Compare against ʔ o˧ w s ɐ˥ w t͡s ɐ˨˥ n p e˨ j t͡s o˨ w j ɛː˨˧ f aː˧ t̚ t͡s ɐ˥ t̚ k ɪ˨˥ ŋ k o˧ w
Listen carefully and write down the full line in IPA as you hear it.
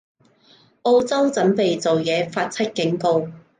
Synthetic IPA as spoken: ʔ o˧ w t͡s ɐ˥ w t͡s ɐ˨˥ n p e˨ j t͡s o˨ w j ɛː˨˧ f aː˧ t̚ t͡sʰ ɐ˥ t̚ k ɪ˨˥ ŋ k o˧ w